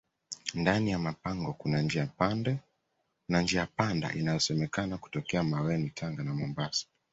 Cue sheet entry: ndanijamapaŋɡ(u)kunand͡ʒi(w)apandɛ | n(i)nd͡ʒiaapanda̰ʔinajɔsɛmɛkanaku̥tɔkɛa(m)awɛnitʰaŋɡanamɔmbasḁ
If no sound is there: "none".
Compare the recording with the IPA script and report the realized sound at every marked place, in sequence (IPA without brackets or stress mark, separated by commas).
ɔ, none, a, m